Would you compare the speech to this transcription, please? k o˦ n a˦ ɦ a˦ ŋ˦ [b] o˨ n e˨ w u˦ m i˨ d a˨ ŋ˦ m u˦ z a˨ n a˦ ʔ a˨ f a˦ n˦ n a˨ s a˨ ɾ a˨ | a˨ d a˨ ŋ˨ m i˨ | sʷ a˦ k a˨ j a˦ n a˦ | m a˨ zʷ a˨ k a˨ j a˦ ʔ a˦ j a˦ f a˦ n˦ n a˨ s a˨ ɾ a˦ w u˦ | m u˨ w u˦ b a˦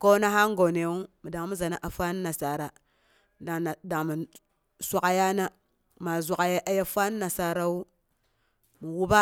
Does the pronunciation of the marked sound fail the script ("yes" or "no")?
yes